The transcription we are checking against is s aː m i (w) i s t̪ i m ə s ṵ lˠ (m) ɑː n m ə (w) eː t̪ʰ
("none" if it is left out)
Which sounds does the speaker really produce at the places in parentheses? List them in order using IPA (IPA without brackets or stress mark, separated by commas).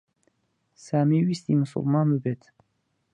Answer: w, m, b